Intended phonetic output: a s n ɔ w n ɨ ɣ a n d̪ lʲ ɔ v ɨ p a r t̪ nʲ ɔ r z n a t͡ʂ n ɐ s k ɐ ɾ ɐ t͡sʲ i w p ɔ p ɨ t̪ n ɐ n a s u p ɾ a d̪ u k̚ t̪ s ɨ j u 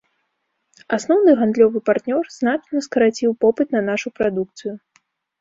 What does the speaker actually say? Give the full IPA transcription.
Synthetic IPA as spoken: a s n ɔ w n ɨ ɣ a n d̪ lʲ ɔ v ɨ p a r t̪ nʲ ɔ r z n a t͡ʂ n ɐ s k ɐ ɾ a t͡sʲ i w p ɔ p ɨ t̪ n ɐ n a ʂ u p ɾ a d̪ u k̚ t̪ s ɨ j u